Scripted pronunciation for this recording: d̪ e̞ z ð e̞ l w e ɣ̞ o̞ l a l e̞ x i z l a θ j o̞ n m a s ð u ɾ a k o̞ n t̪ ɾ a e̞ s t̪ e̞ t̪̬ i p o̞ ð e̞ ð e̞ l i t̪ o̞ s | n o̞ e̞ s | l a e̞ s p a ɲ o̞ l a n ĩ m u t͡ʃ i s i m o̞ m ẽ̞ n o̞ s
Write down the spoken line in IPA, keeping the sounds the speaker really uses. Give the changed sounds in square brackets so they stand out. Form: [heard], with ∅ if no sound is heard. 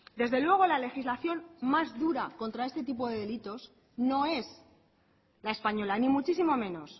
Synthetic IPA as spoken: d̪ e̞ z ð e̞ l w e ɣ̞ o̞ l a l e̞ x i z l a θ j o̞ n m a [z] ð u ɾ a k o̞ n t̪ ɾ a e̞ s t̪ e̞ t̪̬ i p o̞ ð e̞ ð e̞ l i t̪ o̞ s | n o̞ e̞ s | l a e̞ s p a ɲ o̞ l a n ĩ m u t͡ʃ i s i m o̞ m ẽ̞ n o̞ s